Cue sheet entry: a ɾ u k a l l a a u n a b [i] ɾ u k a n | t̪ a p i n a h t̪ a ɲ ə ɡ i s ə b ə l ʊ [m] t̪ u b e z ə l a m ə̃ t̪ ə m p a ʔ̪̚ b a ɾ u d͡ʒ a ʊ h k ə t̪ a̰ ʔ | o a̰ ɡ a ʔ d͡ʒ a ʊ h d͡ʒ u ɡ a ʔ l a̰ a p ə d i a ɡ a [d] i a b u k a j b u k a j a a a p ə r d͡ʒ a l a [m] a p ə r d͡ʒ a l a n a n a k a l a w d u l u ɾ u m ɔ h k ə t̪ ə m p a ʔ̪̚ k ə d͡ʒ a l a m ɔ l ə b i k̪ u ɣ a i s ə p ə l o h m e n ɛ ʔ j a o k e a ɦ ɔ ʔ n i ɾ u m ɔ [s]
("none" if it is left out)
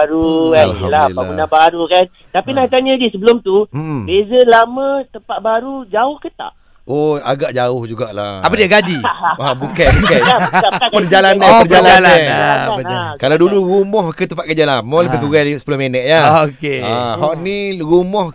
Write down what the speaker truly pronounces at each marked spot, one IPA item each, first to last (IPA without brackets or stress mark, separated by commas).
a, m, d͡ʒ, n, h